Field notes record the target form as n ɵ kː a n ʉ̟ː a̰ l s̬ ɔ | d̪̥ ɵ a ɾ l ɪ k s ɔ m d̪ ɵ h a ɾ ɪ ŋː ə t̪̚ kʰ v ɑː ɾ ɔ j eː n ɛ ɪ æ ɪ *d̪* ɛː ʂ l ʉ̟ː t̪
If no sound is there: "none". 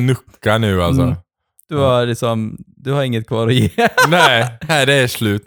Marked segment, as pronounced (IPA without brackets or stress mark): d̪